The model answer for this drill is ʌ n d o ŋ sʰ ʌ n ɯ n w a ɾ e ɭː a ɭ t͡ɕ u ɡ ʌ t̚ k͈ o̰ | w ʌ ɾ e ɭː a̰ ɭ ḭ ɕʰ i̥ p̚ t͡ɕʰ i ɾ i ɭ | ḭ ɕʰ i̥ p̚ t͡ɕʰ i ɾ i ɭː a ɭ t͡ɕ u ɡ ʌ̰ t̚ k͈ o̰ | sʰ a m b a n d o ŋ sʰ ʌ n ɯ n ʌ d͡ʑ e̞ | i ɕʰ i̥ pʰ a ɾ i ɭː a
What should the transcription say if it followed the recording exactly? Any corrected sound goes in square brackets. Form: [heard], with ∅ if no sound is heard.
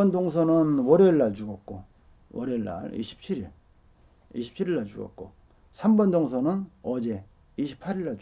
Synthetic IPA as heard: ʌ n d o ŋ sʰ ʌ n ɯ n w [ʌ] ɾ e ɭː a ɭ t͡ɕ u ɡ ʌ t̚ k͈ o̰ | w ʌ ɾ e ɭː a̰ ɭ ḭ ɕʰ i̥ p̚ t͡ɕʰ i ɾ i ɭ | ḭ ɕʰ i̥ p̚ t͡ɕʰ i ɾ i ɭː a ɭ t͡ɕ u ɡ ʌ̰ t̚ k͈ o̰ | sʰ a m b [ʌ] n d o ŋ sʰ ʌ n ɯ n ʌ d͡ʑ e̞ | i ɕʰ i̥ pʰ a ɾ i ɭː a